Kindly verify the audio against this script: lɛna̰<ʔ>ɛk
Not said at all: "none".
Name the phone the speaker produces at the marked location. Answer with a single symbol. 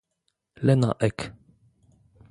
ʔ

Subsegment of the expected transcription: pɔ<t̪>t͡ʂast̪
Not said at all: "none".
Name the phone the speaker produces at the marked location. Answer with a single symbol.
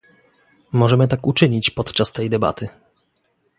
t̪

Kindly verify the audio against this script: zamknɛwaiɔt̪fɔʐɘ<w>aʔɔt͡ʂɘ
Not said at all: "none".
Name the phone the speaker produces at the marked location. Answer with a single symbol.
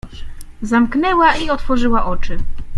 w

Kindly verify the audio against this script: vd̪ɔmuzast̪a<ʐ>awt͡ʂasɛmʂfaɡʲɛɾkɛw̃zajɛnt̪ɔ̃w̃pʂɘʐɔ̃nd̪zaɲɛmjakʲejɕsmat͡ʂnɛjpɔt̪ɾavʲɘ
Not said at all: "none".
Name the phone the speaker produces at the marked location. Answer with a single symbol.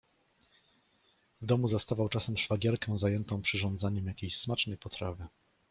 v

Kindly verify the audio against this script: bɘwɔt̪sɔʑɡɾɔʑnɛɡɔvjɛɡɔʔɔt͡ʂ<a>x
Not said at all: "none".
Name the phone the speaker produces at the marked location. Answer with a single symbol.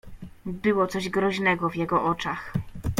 a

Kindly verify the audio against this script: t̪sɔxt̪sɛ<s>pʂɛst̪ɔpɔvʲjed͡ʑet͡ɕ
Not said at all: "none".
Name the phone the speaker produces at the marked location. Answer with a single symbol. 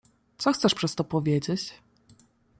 ʂ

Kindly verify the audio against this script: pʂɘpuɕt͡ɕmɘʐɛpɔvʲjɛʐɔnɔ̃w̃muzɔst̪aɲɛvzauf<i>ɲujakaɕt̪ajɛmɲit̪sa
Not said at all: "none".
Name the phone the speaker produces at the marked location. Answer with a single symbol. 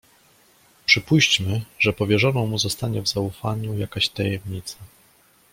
a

